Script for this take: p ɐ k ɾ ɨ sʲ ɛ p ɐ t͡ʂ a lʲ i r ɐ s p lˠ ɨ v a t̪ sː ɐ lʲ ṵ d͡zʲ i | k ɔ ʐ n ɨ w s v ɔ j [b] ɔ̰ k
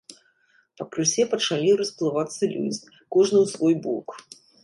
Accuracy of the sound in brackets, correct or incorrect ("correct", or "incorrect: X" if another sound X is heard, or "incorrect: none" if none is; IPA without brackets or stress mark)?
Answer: correct